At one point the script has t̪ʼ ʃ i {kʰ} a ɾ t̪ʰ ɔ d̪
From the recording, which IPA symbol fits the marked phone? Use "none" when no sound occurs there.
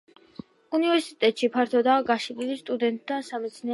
pʰ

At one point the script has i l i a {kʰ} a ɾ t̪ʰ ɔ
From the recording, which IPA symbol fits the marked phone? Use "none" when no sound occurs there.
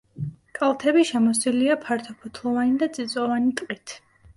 pʰ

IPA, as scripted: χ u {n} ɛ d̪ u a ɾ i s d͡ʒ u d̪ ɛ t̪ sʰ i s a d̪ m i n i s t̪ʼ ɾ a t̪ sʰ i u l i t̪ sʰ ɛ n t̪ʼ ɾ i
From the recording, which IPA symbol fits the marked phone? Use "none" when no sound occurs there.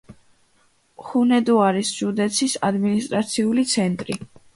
n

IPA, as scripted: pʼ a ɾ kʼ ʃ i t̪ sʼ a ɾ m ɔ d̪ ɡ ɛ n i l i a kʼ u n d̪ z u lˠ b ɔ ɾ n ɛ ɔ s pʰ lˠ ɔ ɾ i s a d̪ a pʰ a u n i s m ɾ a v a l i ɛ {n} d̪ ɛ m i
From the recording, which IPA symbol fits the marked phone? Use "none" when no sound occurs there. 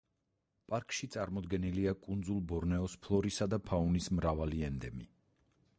n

